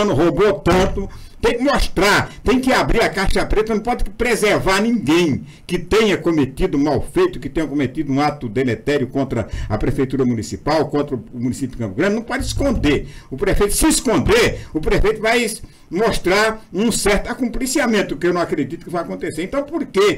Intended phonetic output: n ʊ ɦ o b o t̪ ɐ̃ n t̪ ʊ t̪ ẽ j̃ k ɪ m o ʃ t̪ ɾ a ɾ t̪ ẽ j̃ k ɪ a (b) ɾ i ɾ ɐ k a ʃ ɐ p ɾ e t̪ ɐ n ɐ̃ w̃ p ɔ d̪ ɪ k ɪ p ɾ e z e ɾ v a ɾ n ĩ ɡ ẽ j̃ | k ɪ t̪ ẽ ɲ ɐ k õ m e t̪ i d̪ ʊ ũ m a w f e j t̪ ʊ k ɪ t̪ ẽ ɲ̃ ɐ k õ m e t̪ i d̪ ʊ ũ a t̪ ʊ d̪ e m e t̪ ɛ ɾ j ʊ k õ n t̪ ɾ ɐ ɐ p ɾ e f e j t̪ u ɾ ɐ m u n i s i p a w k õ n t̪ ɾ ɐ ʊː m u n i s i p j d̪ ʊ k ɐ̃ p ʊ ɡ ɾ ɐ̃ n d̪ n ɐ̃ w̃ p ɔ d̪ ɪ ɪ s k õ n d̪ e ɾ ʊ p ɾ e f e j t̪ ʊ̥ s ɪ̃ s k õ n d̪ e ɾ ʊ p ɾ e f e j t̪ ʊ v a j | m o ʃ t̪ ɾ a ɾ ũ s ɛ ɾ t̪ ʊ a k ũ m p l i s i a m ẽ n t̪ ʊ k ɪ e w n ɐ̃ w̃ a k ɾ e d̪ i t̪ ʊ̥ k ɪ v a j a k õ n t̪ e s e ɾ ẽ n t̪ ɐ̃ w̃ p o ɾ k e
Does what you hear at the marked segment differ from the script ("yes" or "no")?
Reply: no